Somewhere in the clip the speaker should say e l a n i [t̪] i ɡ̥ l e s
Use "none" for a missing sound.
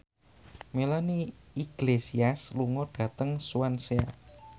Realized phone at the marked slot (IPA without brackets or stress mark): none